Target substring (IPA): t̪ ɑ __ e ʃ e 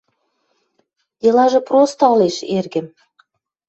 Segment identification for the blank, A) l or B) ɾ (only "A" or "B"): A